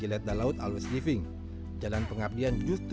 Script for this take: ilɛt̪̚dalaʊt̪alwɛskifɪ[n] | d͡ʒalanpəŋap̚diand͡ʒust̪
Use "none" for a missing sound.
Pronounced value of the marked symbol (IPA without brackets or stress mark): ŋ